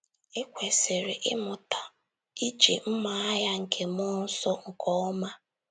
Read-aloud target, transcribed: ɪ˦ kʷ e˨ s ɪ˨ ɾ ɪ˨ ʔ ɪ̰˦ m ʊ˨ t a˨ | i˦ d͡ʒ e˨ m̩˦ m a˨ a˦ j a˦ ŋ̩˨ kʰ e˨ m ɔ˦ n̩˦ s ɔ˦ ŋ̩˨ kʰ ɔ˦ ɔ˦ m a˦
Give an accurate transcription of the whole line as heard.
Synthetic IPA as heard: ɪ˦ kʷ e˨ s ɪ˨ ɾ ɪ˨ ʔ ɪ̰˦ m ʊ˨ t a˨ | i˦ d͡ʒ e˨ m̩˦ m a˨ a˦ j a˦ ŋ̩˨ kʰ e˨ m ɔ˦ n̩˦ s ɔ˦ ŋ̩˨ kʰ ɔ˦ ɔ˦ m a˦